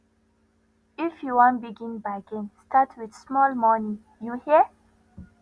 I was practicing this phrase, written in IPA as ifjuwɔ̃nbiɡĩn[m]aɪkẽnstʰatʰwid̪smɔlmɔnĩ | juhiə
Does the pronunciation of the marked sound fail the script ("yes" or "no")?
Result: yes